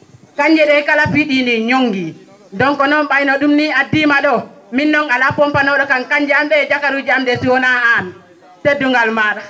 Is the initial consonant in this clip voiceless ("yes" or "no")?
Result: yes